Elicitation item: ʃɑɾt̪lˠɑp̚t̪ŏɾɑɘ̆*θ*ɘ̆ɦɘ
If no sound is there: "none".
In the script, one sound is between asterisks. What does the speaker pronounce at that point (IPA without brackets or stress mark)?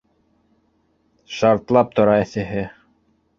θ